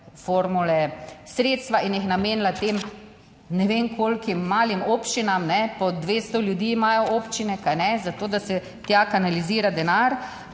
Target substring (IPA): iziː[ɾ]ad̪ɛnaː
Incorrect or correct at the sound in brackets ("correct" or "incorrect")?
correct